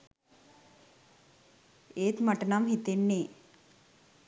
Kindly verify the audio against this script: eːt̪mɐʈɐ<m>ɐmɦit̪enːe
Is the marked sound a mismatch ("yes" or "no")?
yes